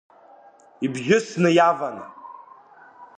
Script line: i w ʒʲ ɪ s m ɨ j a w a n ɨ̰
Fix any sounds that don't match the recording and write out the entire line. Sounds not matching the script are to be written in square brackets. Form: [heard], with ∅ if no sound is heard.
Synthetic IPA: i [b] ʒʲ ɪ s [n] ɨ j a [v] a n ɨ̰